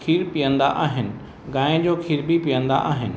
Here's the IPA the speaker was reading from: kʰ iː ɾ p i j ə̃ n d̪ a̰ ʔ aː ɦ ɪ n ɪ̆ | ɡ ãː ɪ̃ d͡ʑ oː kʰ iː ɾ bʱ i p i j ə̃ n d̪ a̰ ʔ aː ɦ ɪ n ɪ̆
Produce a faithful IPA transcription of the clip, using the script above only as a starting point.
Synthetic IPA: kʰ iː ɾ p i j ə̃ n d̪ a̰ ʔ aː ɦ ɪ n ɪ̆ | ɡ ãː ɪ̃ d͡ʑ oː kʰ iː ɾ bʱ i p i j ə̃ n d̪ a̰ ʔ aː ɦ ɪ n ɪ̆